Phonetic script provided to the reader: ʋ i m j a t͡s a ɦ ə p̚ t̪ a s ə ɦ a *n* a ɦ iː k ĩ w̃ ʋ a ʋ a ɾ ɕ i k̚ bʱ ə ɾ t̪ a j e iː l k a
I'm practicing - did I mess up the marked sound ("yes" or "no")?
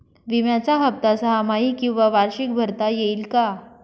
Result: yes